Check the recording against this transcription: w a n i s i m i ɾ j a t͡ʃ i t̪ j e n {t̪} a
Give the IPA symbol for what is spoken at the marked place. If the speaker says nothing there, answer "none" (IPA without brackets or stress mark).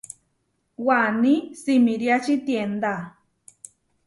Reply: d̪